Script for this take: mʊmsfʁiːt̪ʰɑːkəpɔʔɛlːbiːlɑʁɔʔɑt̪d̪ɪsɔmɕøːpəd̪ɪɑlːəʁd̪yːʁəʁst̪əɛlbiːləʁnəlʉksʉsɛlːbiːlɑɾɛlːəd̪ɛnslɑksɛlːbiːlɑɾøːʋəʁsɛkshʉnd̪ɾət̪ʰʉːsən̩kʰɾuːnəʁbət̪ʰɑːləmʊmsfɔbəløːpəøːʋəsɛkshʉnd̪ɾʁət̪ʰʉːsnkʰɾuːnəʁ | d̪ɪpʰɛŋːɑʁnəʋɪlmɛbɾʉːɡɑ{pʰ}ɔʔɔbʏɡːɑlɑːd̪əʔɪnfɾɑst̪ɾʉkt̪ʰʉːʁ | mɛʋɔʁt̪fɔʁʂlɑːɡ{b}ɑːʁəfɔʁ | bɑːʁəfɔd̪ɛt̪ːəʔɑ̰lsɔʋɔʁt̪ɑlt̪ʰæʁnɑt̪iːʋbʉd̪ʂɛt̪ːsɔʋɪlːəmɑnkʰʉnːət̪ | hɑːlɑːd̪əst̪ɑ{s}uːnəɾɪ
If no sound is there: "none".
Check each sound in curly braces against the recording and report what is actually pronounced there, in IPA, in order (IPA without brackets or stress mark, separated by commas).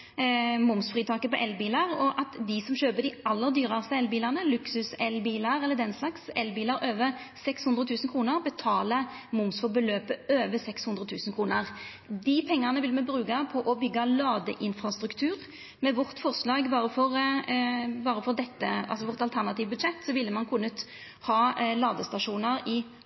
pʰ, b, ʂ